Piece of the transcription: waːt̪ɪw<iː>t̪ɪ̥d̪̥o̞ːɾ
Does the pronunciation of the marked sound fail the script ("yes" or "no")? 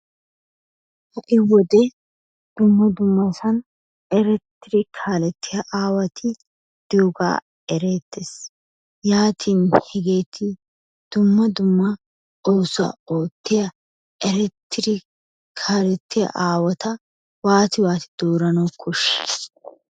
yes